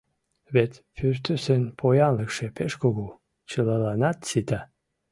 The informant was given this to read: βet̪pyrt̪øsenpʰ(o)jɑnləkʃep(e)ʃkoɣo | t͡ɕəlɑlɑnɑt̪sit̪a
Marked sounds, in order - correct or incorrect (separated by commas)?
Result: correct, correct